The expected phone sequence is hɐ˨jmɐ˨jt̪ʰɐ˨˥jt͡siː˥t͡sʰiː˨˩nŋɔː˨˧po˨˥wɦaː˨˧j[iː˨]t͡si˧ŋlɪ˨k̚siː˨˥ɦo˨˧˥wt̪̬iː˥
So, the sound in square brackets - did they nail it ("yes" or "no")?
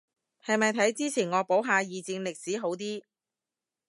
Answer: yes